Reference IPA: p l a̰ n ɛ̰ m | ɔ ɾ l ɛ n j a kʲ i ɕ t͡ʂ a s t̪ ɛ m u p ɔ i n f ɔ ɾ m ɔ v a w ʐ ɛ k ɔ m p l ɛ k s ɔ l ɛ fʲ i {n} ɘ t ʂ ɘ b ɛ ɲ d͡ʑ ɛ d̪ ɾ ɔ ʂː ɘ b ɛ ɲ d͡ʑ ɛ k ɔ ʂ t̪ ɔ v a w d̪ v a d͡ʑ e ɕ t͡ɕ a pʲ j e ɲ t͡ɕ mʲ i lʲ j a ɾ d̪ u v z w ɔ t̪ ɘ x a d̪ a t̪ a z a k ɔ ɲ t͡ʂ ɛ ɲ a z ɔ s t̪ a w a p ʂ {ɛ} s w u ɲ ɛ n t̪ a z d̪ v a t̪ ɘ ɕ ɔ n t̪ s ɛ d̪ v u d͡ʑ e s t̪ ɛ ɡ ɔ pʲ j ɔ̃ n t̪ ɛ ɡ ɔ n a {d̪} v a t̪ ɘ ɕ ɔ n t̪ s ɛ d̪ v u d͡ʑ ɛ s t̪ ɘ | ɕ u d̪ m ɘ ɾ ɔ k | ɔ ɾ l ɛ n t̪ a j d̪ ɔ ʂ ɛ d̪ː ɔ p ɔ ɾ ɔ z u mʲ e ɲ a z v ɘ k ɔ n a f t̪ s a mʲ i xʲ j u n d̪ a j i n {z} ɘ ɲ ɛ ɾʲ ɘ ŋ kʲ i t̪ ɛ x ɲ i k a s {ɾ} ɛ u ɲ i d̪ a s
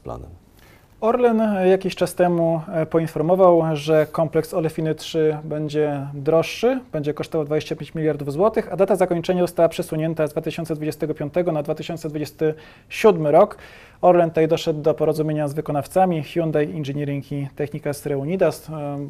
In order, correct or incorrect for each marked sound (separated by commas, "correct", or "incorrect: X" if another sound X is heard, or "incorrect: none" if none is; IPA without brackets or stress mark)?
correct, correct, correct, incorrect: ʐ, correct